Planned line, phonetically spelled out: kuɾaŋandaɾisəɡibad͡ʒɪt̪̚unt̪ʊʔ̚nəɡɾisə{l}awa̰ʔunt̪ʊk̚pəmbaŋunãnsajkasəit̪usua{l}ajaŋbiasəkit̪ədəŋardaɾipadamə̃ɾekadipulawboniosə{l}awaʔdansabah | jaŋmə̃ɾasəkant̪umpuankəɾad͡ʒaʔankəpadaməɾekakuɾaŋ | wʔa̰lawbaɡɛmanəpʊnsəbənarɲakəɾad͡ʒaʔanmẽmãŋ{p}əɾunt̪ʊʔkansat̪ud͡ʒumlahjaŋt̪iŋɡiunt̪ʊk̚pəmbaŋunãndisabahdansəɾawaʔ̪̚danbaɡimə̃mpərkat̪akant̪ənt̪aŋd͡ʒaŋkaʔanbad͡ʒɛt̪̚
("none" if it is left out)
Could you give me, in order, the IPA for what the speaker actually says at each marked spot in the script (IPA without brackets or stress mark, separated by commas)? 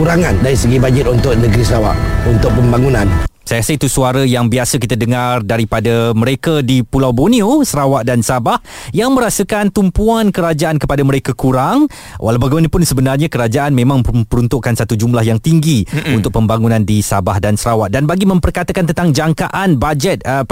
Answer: ɾ, ɾ, ɾ, p